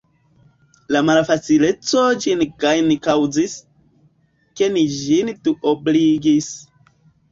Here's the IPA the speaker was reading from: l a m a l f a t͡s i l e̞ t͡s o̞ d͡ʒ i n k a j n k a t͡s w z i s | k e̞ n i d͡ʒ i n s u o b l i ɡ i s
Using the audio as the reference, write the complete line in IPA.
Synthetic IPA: l a m a l f a t͡s i l e̞ t͡s o̞ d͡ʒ i n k a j n k a w z i s | k e̞ n i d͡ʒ i n t u o b l i ɡ i s